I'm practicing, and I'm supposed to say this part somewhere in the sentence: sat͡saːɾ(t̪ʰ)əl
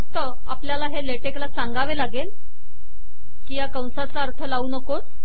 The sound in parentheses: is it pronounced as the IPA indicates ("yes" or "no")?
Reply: yes